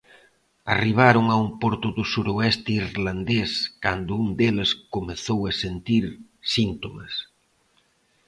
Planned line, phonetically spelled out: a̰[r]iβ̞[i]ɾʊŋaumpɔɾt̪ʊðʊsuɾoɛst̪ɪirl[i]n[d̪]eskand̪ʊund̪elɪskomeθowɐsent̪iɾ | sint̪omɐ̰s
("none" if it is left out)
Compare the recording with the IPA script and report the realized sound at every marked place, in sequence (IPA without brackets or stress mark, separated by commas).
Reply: r, a, a, d̪